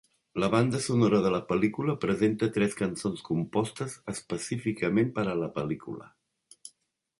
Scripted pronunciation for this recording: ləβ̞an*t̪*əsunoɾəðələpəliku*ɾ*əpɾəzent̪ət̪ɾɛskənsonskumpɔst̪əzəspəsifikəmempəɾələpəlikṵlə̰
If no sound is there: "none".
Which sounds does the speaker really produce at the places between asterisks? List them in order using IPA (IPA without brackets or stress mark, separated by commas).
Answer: d̪, l